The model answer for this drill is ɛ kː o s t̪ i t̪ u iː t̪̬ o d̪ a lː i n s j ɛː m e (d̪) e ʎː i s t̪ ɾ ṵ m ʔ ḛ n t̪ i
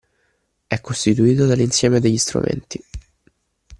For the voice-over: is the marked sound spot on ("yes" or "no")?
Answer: yes